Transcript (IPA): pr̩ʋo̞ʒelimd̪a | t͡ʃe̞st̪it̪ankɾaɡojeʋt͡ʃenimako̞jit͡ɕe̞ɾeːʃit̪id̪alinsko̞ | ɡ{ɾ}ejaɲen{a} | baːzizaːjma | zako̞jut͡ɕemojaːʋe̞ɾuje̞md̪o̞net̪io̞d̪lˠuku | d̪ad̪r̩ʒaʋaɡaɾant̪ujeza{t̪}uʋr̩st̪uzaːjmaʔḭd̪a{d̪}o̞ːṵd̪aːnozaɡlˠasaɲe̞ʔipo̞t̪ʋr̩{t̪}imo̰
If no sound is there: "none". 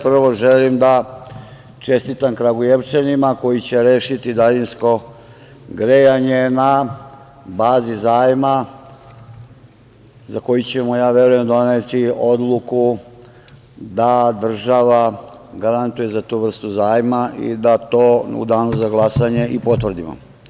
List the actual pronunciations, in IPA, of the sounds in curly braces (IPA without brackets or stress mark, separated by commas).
ɾ, a, t̪, t̪, d̪